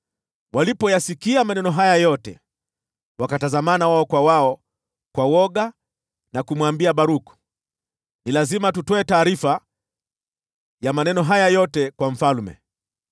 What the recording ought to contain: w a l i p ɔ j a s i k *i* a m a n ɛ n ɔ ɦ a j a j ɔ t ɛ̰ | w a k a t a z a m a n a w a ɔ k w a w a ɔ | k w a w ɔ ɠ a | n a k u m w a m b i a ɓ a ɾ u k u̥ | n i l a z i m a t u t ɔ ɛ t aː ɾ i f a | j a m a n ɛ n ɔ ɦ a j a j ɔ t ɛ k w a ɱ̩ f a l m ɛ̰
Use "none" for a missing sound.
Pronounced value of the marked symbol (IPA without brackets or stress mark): i